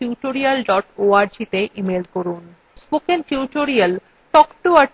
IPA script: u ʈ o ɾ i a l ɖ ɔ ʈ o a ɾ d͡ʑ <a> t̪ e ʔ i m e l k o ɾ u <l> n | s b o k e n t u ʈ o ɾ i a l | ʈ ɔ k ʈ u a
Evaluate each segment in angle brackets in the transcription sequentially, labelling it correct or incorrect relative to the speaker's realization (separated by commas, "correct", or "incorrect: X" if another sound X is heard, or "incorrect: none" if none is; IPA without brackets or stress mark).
incorrect: i, incorrect: none